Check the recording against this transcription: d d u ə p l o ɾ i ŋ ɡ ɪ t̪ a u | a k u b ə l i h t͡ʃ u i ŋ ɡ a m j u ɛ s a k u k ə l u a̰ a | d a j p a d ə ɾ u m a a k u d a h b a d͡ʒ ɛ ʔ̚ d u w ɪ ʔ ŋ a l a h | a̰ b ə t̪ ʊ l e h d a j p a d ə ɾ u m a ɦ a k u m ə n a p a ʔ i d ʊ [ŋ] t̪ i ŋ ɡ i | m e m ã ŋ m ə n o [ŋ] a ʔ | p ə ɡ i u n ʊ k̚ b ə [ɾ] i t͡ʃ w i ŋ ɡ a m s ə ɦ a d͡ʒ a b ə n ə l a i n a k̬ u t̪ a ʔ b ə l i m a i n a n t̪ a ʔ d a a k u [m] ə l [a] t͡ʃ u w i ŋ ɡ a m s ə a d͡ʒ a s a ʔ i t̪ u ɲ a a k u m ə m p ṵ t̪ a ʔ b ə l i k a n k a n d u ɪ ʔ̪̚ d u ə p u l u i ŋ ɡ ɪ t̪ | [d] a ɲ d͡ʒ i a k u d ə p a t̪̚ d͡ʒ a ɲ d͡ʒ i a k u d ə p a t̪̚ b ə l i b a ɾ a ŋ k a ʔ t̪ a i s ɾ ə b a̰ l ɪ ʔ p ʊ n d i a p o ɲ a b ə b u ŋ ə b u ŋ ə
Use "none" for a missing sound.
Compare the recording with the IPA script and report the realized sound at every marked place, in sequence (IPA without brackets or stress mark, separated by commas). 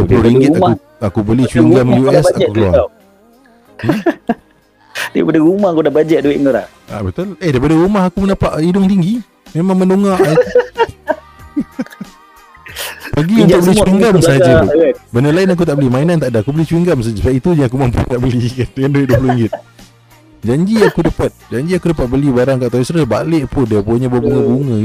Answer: ŋ, ŋ, l, b, i, d͡ʒ